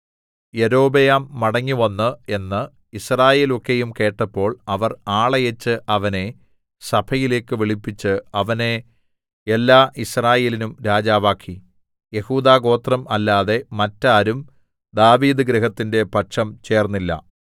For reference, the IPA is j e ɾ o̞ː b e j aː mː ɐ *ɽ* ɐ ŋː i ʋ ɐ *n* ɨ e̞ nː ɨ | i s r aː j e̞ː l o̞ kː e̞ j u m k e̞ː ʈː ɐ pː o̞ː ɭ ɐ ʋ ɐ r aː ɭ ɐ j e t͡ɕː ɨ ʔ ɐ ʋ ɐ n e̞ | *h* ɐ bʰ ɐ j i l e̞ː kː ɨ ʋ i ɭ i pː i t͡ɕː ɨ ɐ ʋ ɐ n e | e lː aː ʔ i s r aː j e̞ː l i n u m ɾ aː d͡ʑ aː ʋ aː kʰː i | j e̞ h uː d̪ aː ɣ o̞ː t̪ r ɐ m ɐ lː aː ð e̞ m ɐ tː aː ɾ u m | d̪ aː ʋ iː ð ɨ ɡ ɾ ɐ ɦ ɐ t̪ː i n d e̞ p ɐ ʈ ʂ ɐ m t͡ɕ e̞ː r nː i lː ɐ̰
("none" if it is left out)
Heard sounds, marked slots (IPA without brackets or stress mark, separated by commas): ɽ, nː, s